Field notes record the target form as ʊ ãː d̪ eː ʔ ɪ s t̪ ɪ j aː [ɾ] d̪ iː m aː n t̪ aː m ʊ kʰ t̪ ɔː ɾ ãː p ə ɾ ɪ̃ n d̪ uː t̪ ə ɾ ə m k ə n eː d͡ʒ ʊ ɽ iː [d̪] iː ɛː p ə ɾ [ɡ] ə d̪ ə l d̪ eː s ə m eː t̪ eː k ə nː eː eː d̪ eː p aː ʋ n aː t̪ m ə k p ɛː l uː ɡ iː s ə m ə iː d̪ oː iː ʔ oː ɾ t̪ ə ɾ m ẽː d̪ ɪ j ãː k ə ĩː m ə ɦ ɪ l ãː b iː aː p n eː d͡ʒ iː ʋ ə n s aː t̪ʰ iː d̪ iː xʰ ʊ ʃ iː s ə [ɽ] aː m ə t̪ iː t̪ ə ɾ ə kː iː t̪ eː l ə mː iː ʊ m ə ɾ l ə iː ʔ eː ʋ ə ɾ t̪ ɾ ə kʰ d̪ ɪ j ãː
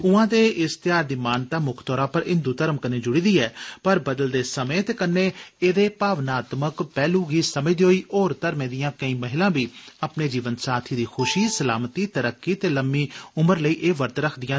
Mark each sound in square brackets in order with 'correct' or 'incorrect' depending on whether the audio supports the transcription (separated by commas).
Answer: correct, correct, incorrect, incorrect